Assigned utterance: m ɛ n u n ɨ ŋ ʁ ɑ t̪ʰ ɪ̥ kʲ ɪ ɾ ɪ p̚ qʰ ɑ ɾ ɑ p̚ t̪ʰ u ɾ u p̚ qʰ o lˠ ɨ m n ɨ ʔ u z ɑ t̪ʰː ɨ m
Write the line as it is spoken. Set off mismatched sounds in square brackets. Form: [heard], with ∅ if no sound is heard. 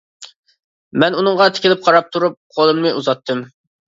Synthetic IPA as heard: m ɛ n u n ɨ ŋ ʁ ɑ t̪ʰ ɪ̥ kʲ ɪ [l] ɪ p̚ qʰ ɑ ɾ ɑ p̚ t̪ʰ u ɾ u p̚ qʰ o lˠ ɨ m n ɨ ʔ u z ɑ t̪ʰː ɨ m